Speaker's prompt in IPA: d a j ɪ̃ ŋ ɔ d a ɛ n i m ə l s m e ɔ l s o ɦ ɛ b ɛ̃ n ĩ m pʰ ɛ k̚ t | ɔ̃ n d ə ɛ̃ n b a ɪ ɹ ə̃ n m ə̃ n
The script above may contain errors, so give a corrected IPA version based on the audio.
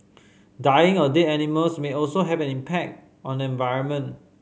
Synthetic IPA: d a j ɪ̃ ŋ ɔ d e ɛ n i m ə l s m e ɔ l s o ɦ ɛ v ɛ̃ n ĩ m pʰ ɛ k̚ t | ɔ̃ n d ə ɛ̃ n v a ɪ ɹ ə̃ n m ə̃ n